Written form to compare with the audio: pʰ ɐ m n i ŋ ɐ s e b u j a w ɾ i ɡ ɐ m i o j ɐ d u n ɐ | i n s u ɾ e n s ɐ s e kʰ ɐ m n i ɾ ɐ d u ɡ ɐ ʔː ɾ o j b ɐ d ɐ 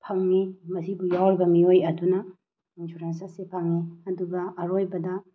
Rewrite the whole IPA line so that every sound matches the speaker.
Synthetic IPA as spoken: pʰ ɐ ŋ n i m ɐ s i b u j a w ɾ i b ɐ m i o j ɐ d u n ɐ | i n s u ɾ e n s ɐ s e pʰ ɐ ŋ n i ɐ d u ɡ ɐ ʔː ɾ o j b ɐ d ɐ